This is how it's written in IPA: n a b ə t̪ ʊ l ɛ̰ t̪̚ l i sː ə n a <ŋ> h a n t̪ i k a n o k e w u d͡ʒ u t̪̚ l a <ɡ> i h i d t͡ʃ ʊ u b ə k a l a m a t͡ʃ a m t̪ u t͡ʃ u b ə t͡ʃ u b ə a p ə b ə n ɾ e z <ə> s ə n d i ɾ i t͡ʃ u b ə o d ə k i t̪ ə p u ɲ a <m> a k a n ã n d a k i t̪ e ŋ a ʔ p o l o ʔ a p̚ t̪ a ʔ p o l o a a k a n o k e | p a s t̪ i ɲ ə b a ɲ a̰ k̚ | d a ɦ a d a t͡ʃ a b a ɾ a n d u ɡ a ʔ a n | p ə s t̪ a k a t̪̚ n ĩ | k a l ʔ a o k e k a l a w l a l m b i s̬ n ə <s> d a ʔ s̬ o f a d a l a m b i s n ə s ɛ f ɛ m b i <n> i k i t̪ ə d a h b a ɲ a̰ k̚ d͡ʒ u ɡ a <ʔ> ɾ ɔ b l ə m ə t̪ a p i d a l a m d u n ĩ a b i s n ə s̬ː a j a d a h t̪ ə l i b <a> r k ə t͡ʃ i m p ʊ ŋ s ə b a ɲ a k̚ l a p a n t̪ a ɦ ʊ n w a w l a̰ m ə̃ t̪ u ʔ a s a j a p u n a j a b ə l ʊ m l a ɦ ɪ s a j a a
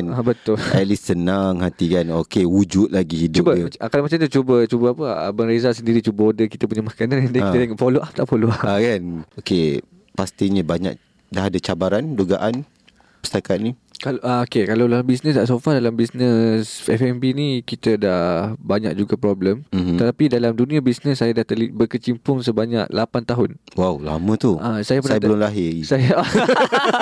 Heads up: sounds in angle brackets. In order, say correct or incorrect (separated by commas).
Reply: correct, correct, incorrect, correct, correct, correct, incorrect, incorrect